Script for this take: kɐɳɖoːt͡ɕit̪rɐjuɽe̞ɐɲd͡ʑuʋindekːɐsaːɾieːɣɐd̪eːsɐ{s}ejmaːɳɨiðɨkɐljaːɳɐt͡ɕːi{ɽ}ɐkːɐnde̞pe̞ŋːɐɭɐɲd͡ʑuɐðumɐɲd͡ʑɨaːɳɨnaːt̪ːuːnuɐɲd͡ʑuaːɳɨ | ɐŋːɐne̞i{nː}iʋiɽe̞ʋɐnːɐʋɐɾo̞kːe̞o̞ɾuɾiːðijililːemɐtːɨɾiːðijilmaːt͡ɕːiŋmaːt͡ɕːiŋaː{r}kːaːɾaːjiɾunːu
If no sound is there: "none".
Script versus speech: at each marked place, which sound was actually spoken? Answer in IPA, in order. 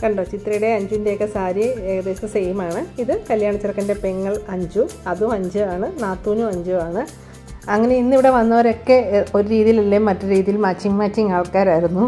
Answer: s, r, nː, ɭ

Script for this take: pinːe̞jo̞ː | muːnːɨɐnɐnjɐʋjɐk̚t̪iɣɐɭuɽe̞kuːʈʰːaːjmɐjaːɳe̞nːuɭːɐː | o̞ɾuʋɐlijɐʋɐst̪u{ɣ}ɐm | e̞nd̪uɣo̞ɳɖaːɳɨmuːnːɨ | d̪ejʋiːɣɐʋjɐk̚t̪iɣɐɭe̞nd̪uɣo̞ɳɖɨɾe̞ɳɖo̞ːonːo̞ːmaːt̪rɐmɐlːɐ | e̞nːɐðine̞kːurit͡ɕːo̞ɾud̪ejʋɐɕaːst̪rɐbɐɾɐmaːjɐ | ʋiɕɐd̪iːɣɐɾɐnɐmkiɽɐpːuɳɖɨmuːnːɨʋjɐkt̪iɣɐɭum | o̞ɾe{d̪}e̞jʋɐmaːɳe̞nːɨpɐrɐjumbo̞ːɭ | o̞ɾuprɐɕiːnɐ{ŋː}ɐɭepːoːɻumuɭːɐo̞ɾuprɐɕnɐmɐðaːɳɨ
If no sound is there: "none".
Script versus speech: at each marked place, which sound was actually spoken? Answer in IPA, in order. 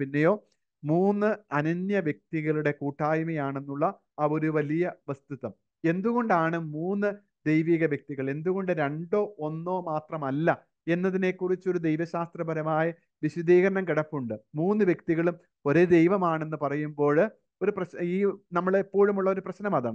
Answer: ð, d̪, mː

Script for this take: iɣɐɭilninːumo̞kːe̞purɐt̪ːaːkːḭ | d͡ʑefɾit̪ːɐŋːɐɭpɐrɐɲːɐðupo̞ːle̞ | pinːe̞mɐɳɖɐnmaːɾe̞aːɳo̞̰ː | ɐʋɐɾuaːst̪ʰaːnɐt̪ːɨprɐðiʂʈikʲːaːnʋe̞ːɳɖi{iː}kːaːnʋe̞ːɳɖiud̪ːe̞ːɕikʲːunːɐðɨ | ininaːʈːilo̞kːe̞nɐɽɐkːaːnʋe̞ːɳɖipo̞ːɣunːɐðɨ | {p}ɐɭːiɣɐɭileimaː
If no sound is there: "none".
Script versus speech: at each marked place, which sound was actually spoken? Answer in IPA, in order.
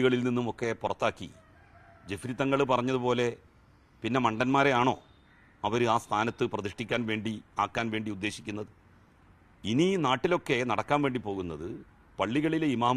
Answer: aː, p

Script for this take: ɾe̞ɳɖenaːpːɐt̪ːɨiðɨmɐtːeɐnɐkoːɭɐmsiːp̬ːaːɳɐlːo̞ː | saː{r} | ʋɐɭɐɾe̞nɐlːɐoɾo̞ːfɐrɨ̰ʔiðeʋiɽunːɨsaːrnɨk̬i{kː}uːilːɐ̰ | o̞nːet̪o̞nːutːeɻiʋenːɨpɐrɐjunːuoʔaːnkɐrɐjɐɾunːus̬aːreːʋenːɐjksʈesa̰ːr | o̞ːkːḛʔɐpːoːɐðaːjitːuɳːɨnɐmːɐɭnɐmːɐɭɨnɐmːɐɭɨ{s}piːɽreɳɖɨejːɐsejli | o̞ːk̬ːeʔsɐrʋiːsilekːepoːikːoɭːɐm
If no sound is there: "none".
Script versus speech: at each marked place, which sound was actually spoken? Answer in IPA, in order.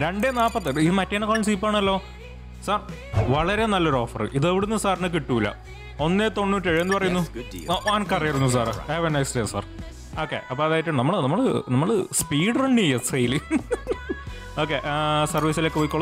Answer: r, ʈː, s

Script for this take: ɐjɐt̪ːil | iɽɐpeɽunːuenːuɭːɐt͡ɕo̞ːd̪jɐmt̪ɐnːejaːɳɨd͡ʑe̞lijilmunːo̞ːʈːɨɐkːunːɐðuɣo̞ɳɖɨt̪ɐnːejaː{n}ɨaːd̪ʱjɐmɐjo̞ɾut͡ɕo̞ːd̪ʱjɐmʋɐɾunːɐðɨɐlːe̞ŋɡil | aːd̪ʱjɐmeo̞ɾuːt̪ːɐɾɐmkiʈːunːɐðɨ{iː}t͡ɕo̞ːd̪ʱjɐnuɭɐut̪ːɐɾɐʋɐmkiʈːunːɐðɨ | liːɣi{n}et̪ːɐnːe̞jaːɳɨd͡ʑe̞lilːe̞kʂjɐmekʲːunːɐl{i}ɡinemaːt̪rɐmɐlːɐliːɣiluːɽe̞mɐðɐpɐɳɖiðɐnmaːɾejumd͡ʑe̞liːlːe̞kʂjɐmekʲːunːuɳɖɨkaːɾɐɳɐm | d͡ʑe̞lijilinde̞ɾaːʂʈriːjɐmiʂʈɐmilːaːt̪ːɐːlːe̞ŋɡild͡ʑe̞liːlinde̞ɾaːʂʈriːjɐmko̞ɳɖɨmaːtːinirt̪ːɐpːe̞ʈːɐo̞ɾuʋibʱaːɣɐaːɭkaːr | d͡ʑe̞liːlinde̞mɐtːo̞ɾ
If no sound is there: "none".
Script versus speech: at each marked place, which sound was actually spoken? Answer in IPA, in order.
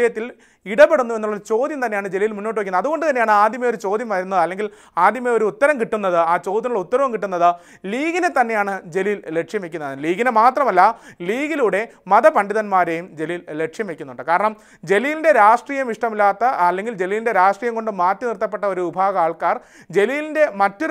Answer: ɳ, aː, n, iː

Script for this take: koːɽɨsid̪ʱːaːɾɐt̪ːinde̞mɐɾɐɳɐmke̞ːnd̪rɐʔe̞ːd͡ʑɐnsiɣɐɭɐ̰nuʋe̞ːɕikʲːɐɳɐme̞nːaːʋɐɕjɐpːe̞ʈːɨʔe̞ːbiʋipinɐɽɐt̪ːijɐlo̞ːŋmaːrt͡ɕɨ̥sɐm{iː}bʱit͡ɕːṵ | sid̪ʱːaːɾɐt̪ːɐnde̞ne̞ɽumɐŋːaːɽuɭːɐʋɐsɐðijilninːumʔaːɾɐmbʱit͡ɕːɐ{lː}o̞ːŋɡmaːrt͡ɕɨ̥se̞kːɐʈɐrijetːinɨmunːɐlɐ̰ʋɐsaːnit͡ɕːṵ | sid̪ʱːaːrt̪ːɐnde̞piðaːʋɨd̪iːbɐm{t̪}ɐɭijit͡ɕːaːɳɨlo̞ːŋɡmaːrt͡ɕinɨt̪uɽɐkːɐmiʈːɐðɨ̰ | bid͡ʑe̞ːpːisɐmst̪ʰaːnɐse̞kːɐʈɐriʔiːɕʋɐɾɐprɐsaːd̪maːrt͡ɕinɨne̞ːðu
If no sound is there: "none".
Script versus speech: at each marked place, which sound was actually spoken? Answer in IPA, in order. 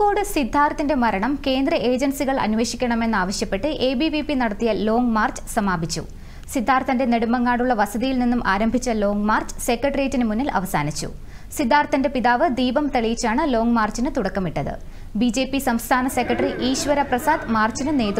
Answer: aː, l, t̪

